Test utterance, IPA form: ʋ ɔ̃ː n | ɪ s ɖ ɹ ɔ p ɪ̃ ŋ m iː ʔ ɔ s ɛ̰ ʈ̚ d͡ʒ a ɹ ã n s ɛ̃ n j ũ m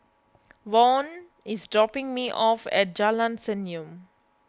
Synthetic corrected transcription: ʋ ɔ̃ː n | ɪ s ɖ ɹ ɔ p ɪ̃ ŋ m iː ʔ ɔ f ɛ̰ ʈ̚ d͡ʒ a l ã n s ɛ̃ n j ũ m